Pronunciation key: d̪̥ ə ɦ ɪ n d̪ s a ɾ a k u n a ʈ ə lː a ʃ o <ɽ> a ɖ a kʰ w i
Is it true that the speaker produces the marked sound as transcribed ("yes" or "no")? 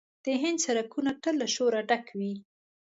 no